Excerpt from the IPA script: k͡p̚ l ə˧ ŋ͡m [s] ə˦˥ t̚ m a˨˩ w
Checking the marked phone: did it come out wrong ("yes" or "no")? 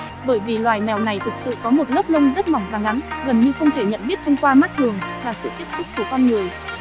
yes